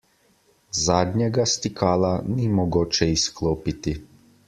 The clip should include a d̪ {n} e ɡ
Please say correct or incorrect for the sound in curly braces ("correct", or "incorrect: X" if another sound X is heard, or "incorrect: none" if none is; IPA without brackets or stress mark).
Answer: incorrect: ɲ